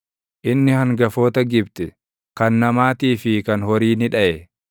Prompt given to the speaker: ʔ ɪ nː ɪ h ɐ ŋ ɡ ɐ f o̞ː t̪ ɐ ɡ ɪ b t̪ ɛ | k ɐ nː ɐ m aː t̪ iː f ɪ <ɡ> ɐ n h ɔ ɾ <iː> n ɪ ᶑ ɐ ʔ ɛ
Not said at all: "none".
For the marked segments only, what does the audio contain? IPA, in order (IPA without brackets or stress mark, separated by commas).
k, iː